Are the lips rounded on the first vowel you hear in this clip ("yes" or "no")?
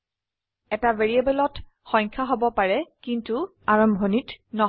no